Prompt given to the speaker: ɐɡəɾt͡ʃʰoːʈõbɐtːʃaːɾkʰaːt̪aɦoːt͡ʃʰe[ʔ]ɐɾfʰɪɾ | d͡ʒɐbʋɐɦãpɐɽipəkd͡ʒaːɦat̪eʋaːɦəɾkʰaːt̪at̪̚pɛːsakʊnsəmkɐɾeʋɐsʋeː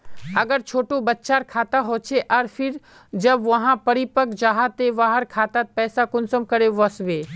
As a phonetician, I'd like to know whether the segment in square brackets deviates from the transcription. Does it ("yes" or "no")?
no